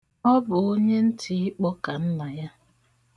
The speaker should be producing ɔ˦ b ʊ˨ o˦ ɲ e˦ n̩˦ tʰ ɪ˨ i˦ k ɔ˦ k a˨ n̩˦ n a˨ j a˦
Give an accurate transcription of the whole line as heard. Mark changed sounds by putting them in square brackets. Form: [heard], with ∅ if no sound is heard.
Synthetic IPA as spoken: ɔ˦ b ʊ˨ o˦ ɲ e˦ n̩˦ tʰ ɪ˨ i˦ [k͡p] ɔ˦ k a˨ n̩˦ n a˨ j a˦